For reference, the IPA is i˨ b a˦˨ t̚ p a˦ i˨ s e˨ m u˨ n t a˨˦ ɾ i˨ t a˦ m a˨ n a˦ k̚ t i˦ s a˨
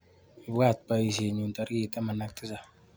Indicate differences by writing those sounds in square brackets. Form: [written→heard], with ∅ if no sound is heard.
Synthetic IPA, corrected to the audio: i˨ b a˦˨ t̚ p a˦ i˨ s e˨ [m→ɲ] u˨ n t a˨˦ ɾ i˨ t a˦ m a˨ n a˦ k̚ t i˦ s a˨